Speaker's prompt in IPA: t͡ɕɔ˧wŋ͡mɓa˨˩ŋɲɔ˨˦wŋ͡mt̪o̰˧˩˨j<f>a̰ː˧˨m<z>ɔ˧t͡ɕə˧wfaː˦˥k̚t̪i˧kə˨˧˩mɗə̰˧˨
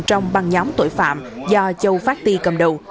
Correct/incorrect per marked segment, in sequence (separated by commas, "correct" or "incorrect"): correct, correct